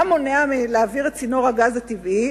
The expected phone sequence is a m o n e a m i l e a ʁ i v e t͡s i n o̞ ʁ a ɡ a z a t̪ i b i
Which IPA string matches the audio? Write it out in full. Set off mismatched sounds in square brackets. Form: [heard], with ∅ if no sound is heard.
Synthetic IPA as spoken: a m o n e a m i l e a [v] i [ʁ] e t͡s i n o̞ ʁ a ɡ a z a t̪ i [v] i